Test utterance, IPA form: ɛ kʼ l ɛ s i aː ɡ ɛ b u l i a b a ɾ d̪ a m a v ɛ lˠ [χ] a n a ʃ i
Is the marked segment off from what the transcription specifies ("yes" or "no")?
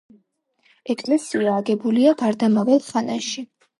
no